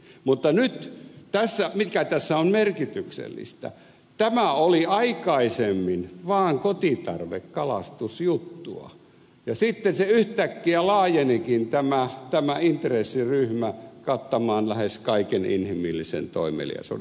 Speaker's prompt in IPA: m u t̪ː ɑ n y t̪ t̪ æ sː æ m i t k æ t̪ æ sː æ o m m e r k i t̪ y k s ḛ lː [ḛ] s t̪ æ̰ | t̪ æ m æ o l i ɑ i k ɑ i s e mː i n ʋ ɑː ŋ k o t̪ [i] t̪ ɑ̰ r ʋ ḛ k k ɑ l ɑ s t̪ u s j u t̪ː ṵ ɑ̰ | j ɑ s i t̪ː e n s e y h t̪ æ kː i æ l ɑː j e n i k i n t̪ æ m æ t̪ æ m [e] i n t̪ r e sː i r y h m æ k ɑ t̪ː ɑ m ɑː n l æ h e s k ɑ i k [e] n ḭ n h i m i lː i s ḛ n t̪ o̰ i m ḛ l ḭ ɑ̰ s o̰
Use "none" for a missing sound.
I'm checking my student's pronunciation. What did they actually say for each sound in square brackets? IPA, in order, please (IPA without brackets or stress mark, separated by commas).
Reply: ḭ, i, æ, e